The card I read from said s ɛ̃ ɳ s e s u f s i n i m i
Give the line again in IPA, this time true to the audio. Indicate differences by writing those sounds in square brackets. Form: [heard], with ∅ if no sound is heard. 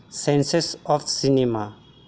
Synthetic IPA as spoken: s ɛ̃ [n] s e s [ɔ] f s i n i m [a]